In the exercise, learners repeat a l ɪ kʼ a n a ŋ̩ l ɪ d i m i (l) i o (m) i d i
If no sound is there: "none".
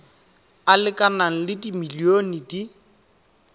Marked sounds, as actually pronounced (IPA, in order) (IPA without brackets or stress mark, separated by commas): l, n